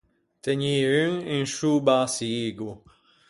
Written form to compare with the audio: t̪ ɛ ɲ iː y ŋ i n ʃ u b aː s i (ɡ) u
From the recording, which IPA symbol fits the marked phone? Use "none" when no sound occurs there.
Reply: ɡ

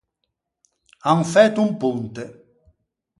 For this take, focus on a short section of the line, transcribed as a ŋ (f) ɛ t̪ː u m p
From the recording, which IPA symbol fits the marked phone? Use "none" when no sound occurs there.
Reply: f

